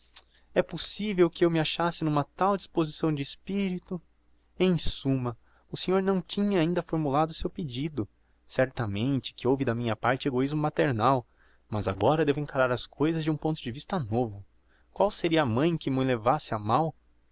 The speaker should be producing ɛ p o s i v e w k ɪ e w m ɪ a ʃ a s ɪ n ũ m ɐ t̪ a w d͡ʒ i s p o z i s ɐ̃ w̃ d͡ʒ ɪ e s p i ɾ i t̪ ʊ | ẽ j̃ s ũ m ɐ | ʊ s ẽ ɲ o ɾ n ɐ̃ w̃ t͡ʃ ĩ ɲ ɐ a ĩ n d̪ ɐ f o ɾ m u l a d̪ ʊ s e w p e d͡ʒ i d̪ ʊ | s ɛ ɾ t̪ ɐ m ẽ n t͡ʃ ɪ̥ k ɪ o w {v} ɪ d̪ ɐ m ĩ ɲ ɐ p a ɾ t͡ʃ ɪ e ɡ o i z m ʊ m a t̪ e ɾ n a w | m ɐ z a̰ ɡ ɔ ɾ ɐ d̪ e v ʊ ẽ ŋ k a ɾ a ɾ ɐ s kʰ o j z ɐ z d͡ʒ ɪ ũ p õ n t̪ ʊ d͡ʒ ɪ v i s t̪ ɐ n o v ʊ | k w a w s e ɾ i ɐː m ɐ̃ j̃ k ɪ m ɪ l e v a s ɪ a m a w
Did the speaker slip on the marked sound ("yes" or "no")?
no